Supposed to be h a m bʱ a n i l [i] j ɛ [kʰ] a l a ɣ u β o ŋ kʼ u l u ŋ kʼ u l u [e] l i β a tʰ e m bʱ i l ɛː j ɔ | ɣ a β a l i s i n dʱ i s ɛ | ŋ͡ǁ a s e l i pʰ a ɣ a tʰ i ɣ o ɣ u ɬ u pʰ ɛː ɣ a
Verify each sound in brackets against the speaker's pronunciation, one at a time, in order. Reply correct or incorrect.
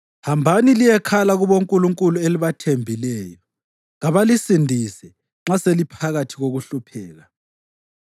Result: correct, correct, correct

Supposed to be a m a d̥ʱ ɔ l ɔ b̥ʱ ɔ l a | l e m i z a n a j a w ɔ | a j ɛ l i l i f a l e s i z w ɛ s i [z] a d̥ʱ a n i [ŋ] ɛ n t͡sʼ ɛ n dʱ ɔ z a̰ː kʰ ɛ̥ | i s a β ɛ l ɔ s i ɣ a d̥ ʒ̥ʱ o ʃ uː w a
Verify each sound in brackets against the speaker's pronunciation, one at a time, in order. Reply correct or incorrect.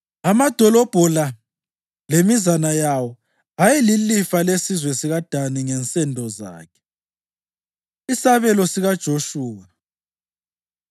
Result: incorrect, correct

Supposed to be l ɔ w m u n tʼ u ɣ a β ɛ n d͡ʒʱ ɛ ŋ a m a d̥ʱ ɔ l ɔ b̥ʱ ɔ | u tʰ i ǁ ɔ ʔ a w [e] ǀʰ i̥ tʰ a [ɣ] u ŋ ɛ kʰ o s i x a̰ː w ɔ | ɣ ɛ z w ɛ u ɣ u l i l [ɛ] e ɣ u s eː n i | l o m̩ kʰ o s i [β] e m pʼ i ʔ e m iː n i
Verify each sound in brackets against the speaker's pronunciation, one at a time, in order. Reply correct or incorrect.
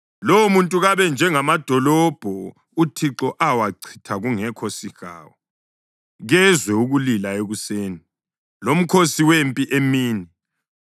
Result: incorrect, correct, incorrect, incorrect

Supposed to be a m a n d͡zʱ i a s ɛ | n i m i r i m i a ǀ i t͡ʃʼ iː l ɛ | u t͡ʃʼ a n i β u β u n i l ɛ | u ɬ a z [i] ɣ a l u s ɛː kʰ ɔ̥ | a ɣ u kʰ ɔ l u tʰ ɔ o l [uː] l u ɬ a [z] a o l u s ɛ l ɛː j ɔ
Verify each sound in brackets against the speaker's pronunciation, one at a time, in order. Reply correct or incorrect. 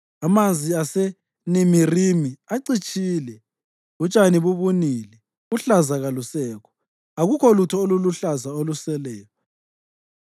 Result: incorrect, incorrect, correct

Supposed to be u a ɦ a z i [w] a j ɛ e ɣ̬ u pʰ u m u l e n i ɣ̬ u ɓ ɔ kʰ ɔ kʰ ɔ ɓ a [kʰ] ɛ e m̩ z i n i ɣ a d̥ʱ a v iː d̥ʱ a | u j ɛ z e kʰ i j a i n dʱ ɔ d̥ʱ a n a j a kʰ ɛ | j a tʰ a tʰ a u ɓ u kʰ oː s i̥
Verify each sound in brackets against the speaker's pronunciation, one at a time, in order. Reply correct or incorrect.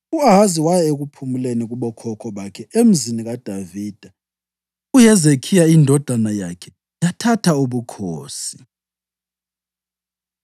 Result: correct, correct

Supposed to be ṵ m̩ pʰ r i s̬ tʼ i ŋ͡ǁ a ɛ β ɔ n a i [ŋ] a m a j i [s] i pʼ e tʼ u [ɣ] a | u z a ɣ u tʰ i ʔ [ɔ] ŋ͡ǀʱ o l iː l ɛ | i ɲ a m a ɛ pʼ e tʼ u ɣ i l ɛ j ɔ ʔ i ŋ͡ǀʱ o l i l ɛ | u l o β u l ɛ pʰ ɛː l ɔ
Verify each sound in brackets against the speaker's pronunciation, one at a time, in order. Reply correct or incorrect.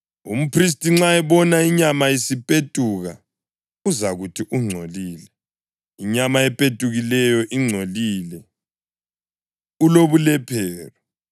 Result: incorrect, correct, correct, incorrect

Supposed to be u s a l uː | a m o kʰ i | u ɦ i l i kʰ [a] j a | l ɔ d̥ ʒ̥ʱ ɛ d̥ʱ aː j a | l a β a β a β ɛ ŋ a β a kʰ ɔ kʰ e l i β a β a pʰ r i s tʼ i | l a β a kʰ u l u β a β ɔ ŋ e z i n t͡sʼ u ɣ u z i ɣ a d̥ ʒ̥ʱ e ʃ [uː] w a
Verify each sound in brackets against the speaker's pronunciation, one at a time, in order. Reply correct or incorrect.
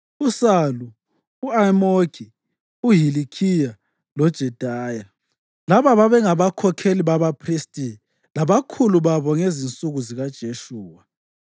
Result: incorrect, correct

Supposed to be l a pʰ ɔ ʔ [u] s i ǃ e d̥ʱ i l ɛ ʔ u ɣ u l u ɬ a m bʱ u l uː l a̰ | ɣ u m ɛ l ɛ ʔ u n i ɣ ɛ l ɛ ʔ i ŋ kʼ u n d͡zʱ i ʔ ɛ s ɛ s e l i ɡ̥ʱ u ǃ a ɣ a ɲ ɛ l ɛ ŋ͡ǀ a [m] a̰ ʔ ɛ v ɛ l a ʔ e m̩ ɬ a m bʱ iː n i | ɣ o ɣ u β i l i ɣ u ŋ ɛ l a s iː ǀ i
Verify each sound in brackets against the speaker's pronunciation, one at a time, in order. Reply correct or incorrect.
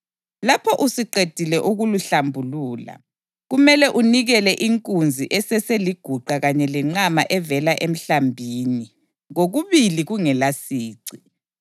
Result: correct, correct

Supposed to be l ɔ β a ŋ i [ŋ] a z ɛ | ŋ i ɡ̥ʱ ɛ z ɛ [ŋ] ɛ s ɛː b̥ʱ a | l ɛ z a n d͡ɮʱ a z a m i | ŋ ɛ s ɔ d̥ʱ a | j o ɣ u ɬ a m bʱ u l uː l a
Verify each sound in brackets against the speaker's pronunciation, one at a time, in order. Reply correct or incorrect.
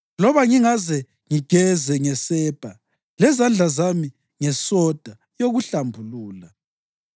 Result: correct, correct

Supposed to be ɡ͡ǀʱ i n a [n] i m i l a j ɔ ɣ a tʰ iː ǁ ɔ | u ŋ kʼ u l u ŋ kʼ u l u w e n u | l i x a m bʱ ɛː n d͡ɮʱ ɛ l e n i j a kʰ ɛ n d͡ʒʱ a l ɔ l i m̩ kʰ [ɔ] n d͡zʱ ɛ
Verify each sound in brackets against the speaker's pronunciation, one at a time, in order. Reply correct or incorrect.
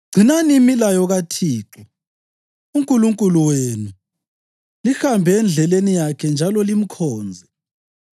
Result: correct, incorrect

